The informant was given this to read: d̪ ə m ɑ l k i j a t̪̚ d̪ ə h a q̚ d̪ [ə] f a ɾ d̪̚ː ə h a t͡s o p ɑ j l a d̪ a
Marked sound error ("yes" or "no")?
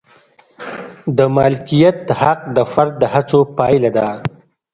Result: no